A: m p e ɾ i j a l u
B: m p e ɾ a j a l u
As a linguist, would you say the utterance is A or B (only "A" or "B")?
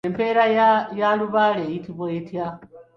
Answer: B